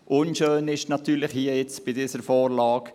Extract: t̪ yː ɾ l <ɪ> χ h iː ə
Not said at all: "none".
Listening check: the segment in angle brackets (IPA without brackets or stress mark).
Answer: ɪ